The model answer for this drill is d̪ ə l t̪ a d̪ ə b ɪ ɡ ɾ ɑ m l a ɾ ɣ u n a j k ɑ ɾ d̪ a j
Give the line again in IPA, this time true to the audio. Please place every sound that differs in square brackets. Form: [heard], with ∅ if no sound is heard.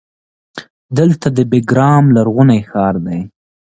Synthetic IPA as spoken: d̪ ə l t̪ a d̪ ə b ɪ ɡ ɾ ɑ m l a ɾ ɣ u n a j [x] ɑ ɾ d̪ a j

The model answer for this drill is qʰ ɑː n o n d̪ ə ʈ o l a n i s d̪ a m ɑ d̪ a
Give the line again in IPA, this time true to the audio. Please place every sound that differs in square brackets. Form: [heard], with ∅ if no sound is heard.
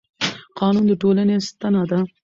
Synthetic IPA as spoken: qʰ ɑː n [u] n d̪ ə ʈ o l a n [e] s [t̪] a [n] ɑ d̪ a

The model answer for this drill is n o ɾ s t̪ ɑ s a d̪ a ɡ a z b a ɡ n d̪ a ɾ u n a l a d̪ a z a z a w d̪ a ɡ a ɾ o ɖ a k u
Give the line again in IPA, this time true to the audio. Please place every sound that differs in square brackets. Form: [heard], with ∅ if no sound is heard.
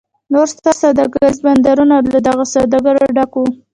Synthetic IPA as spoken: n o ɾ s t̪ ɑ s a d̪ a ɡ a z b a [∅] n d̪ a ɾ u n a l a d̪ a [ɣ] a [s] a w d̪ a ɡ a ɾ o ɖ a k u

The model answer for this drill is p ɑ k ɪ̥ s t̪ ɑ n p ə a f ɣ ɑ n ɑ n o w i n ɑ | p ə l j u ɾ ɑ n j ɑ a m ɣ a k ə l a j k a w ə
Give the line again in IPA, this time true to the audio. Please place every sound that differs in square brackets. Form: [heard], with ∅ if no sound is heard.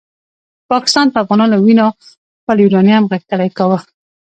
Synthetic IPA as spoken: p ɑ k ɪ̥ s t̪ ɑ n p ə a f ɣ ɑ n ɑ n o w i n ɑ | p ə l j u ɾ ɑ n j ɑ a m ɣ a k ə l a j k a w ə

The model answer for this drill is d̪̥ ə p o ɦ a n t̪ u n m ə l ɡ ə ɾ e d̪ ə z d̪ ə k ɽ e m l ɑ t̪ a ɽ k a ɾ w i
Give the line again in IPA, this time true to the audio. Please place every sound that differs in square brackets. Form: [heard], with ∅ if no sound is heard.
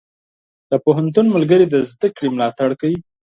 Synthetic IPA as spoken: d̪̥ ə p o ɦ a n t̪ u n m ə l ɡ ə ɾ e d̪ ə z d̪ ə k ɽ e m l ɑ t̪ a ɽ k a [∅] w i

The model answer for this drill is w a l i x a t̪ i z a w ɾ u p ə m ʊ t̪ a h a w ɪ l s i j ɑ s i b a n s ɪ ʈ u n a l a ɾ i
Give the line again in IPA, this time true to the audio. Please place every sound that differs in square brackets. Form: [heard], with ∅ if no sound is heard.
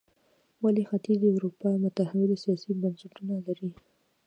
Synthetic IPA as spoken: w a l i x a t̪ i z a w ɾ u p [ɑ] m ʊ t̪ a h a w ɪ l s i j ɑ s i b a n s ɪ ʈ u n a l a ɾ i

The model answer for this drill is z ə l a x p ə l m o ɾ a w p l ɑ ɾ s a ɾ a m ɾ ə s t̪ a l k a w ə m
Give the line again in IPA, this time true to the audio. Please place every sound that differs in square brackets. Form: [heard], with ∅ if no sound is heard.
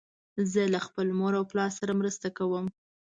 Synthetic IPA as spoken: z ə l a x p ə l m o ɾ a w p l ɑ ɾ s a ɾ a m ɾ ə s t̪ a [∅] k a w ə m

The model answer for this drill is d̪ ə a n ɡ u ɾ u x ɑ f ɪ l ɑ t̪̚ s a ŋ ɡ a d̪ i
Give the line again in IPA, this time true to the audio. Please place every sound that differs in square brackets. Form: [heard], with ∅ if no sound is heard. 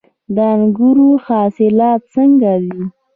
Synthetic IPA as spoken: d̪ ə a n ɡ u ɾ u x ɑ [s] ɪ l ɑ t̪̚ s [ə] ŋ ɡ a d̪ i

